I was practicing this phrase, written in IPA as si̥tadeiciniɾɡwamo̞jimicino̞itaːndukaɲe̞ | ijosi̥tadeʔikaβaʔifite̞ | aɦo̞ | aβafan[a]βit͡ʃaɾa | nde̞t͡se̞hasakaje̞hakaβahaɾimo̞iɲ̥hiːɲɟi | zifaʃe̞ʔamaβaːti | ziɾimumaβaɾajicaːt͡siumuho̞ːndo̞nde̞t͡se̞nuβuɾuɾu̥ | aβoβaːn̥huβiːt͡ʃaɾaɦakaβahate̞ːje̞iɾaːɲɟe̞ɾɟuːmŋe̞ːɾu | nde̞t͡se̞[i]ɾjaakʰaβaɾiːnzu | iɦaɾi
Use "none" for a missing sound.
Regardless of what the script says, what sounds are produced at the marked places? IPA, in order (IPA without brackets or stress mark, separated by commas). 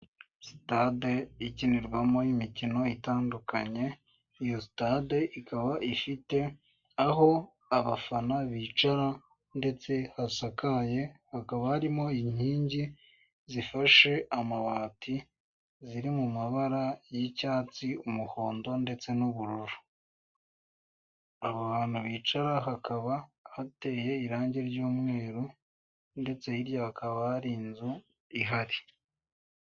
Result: a, i